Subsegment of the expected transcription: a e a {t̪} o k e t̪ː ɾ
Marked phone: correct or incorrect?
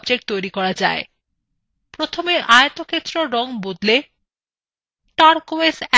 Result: correct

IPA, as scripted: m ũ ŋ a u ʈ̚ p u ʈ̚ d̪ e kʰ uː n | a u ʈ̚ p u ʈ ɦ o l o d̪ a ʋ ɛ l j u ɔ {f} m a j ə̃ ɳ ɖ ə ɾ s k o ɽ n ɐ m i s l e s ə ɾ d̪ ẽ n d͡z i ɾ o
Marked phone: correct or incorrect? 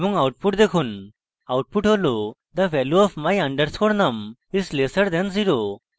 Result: correct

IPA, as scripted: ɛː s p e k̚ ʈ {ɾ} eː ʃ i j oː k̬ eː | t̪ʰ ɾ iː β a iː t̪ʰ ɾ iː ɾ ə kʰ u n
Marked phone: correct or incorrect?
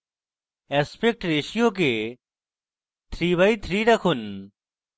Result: correct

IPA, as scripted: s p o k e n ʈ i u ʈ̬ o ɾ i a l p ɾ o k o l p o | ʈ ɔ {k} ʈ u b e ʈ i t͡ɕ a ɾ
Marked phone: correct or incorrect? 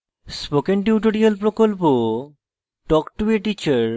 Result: correct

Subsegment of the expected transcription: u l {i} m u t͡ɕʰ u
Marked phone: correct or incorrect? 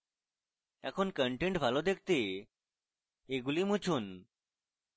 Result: correct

